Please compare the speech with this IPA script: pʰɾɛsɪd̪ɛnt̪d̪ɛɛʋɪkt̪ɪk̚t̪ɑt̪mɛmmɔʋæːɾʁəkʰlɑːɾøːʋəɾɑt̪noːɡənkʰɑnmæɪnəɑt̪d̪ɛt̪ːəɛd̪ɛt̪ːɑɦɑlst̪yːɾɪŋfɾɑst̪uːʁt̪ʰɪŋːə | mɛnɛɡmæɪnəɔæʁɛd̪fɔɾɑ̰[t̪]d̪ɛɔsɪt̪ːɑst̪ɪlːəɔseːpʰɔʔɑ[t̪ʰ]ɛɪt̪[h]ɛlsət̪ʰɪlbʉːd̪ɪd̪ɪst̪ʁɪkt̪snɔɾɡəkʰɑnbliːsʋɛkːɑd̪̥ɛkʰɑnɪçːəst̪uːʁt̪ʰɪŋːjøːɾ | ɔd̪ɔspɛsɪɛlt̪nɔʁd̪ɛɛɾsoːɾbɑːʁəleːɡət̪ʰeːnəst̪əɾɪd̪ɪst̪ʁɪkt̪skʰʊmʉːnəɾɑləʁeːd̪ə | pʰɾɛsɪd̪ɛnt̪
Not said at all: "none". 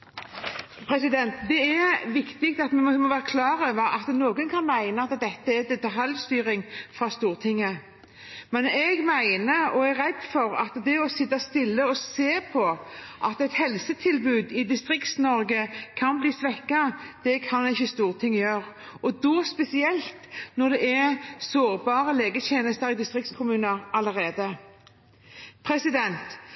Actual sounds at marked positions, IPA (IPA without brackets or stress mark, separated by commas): t̪, t̪, h